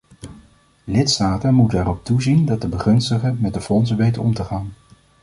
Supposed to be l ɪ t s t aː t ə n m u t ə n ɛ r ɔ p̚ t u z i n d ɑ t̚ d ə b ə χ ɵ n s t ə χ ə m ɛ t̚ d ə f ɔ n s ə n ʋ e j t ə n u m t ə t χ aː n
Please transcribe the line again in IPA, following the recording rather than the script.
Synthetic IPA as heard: l ɪ t s t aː t ə n m u t ə n ɛ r ɔ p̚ t u z i n d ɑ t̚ d ə b ə χ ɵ n s t ə χ ə m ɛ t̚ d ə f ɔ n s ə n ʋ e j t ə n ɔ m t ə χ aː n